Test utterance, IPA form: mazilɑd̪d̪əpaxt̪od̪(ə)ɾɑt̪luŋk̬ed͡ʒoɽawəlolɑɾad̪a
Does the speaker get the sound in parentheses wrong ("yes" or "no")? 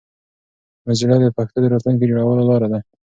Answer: no